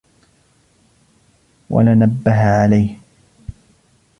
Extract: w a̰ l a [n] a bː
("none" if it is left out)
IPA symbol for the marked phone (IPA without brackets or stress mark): n